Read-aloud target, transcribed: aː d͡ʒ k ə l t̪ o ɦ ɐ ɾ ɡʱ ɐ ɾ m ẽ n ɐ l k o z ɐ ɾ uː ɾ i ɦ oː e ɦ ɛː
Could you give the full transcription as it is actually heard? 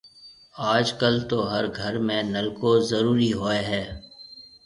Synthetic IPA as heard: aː d͡ʒ k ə l t̪ o ɦ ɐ ɾ ɡʱ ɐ ɾ m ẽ n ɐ l k o z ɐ ɾ uː ɾ i ɦ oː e ɦ ɛː